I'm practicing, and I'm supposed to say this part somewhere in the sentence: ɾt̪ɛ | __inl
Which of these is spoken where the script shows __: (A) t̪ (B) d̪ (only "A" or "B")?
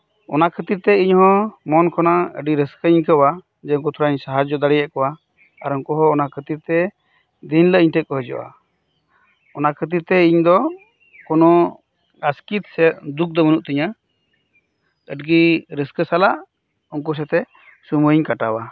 B